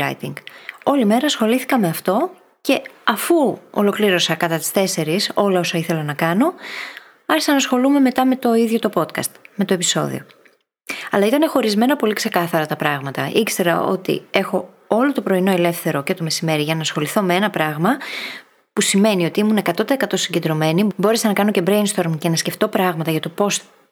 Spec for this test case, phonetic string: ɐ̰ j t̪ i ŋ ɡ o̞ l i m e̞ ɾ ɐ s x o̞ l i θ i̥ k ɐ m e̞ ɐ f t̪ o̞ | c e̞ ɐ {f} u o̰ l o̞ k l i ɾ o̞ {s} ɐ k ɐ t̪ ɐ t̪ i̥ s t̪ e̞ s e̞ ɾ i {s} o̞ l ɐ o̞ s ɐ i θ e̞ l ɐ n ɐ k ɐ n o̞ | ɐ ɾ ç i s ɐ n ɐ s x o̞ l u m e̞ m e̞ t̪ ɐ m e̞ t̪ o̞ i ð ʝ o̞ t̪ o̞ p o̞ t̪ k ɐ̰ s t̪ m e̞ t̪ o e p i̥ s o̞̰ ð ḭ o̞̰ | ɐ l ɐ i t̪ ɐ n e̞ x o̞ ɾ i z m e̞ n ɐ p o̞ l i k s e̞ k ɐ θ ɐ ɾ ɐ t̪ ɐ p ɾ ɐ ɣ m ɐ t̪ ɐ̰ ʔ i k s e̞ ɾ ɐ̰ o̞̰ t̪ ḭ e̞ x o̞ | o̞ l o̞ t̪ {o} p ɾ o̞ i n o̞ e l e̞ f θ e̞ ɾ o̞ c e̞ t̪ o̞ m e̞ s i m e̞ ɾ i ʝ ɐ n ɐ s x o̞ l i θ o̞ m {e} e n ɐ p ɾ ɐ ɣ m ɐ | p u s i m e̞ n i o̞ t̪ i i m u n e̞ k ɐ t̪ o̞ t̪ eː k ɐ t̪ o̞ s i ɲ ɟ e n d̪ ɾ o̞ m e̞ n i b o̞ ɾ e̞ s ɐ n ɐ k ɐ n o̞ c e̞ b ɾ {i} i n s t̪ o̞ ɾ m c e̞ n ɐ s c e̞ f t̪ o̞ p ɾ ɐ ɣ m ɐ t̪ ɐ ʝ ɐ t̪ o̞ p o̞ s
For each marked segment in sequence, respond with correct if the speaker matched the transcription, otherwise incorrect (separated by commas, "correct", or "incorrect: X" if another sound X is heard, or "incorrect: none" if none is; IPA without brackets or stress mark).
correct, correct, correct, correct, correct, incorrect: e